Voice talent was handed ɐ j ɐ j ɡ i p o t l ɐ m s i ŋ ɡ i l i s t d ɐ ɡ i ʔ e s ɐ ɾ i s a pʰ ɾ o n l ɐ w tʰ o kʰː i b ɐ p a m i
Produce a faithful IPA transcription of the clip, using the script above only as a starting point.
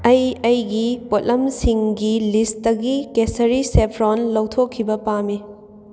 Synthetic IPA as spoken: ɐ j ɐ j ɡ i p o t l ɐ m s i ŋ ɡ i l i s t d ɐ ɡ i k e s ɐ ɾ i s e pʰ ɾ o n l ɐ w tʰ o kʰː i b ɐ p a m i